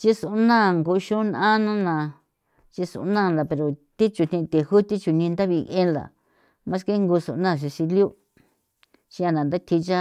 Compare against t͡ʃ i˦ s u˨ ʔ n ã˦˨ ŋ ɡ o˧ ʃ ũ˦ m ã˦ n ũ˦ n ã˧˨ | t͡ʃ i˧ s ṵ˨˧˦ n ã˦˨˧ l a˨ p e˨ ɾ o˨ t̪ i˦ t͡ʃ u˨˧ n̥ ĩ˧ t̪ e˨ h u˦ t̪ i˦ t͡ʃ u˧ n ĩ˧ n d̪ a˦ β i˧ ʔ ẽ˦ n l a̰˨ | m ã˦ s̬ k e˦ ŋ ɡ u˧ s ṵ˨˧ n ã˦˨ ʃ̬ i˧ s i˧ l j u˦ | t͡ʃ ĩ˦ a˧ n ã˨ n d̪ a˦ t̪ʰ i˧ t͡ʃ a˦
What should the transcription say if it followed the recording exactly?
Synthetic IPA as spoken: t͡ʃ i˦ s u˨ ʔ n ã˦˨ ŋ ɡ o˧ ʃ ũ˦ n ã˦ n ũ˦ n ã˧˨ | t͡ʃ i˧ s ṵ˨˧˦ n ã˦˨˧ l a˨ p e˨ ɾ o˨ t̪ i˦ t͡ʃ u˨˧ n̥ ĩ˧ t̪ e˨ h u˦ t̪ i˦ t͡ʃ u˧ n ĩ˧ n d̪ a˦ β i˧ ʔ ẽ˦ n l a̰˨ | m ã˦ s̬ k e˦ ŋ ɡ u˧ s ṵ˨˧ n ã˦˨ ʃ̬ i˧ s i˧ l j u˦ | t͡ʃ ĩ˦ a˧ n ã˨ n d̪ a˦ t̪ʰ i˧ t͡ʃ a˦